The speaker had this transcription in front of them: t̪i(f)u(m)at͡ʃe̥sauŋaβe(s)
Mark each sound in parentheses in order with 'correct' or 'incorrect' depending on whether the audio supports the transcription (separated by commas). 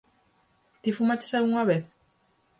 correct, correct, incorrect